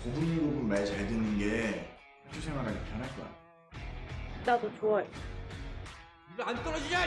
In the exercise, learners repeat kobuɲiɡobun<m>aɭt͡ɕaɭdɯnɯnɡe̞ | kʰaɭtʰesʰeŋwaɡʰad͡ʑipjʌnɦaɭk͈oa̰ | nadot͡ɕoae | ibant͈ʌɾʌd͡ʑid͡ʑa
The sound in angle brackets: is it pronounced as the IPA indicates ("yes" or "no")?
yes